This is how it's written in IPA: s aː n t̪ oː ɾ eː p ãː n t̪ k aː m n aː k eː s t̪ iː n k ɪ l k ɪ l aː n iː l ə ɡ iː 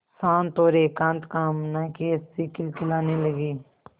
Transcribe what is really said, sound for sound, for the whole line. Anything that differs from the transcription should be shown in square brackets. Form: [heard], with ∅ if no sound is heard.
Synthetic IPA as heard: s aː n t̪ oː ɾ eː [k] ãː n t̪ k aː m n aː k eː s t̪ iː [∅] k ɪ l k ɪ l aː n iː l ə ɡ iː